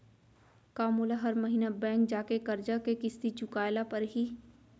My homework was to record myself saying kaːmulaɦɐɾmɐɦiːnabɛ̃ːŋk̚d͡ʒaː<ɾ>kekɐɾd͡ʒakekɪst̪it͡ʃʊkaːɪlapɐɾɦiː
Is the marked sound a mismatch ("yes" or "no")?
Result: yes